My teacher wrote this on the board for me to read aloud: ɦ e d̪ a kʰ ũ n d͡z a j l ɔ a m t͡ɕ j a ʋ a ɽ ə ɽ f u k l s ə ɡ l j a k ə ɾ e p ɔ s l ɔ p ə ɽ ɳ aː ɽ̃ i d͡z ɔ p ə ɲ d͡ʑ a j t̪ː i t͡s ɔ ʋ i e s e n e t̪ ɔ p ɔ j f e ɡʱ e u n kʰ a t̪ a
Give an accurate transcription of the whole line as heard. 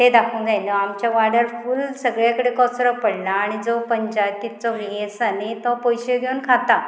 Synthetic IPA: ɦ e d̪ a kʰ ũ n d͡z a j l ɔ a m t͡ɕ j a ʋ a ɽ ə ɾ f u l s ə ɡ ɭ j a k ə ɽ e k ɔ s ɾ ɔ p ə ɽ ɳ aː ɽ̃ i d͡z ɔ p ə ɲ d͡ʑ a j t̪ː i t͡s ɔ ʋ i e s a n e t̪ ɔ p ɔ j ɕ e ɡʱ e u n kʰ a t̪ a